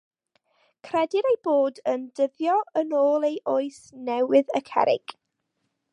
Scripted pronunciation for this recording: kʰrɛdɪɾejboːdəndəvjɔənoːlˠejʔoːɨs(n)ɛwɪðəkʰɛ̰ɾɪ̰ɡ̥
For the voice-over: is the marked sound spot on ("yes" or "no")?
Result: yes